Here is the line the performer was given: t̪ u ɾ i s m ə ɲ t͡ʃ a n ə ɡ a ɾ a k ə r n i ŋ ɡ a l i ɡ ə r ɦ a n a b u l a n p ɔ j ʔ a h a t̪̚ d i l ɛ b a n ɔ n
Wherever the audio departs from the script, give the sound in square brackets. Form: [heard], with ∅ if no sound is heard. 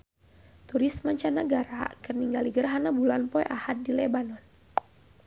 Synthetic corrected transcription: t̪ u ɾ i s m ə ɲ t͡ʃ a n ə ɡ a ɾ a k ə r n i ŋ ɡ a l i ɡ ə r ɦ a n a b u l a n p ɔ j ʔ a h a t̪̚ d i l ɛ b a n ɔ n